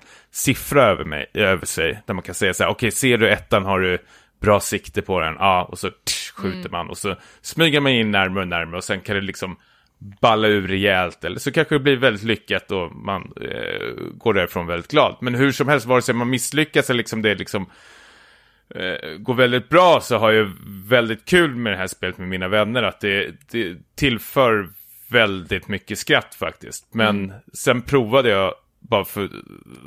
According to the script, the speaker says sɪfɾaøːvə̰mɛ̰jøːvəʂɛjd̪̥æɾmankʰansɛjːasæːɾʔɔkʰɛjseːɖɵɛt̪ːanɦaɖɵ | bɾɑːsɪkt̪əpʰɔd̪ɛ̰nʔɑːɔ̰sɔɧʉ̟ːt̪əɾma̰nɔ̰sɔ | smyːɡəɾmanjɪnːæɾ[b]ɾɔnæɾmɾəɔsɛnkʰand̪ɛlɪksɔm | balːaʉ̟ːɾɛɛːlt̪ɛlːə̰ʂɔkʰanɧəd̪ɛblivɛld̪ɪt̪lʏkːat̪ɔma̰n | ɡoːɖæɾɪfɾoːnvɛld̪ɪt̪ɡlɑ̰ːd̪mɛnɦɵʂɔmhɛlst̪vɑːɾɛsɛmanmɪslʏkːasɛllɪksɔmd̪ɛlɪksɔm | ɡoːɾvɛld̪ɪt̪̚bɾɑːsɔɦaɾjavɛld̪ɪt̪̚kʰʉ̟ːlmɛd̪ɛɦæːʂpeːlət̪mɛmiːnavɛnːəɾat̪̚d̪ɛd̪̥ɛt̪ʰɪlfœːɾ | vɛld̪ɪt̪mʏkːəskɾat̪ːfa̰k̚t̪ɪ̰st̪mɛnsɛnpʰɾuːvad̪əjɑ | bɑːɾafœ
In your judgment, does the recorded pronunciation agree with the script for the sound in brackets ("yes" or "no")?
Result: no